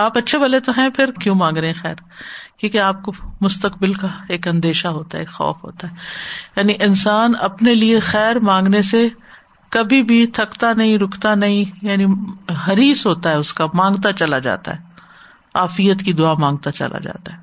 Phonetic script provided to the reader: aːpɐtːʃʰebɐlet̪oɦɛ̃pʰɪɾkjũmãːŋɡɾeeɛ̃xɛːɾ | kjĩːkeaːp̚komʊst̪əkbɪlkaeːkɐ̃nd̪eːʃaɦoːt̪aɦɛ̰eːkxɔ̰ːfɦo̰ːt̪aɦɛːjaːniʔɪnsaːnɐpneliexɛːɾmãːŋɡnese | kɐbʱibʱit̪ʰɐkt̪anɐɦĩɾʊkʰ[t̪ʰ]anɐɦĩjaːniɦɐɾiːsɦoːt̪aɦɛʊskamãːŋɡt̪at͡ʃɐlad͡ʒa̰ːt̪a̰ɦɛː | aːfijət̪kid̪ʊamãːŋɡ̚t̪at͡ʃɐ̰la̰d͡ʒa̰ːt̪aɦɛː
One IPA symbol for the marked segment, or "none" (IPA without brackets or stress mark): t̪